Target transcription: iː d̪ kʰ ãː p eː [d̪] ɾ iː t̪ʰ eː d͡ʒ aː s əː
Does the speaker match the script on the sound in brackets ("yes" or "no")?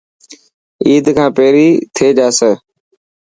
no